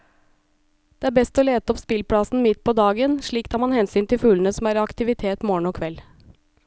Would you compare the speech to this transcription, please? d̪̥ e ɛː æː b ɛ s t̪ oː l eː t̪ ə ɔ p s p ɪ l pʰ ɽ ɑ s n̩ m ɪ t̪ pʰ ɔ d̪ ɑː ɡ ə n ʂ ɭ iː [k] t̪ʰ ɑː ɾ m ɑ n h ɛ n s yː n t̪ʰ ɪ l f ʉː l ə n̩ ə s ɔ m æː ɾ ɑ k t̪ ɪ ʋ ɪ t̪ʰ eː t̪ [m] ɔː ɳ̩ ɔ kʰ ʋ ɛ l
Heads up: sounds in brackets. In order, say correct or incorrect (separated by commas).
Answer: correct, correct